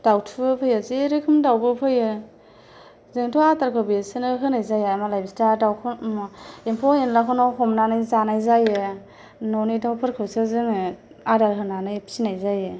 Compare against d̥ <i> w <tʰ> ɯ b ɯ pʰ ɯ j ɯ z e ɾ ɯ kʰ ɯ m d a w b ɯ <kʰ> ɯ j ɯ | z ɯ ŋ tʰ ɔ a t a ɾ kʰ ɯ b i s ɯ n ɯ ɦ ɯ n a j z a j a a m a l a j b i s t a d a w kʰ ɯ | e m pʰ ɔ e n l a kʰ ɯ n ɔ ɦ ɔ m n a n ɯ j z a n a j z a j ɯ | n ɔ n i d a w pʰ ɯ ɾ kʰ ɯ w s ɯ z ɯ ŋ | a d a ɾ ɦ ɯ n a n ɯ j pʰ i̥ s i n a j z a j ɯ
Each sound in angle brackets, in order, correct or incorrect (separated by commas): incorrect, correct, incorrect